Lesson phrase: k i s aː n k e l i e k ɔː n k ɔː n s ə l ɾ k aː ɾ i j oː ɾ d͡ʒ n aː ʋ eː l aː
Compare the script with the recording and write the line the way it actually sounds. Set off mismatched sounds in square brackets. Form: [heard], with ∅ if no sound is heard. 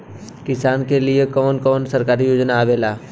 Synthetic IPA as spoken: k [ɪ] s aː n k e l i e k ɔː n k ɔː n s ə [∅] ɾ k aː ɾ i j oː [∅] d͡ʒ n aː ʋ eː l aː